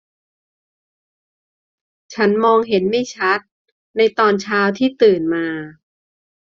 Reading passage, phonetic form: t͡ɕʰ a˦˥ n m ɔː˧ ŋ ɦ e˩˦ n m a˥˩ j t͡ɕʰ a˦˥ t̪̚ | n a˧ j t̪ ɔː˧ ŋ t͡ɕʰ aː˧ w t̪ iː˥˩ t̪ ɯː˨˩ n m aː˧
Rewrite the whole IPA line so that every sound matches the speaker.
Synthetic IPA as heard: t͡ɕʰ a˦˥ n m ɔː˧ ŋ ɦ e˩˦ n m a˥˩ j t͡ɕʰ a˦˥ t̪̚ | n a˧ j t̪ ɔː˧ n t͡ɕʰ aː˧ w t̪ʰ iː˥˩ t̪ ɯː˨˩ n m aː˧